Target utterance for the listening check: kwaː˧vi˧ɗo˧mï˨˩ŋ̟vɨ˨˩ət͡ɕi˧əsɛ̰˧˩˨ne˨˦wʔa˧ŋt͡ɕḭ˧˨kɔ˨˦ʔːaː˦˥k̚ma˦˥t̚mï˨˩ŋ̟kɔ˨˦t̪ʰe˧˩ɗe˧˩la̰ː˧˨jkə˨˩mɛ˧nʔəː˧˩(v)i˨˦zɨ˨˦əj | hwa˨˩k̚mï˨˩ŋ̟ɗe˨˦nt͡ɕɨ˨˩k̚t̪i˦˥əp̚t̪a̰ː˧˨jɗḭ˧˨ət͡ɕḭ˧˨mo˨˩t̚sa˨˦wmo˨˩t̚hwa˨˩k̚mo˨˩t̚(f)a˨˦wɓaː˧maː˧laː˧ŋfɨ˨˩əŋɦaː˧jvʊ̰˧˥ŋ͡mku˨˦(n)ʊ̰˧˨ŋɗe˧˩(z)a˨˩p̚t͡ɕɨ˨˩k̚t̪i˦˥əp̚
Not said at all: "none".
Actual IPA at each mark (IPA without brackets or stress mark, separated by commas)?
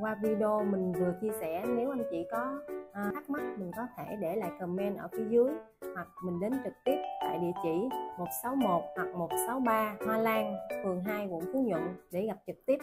f, s, ɲ, ɣ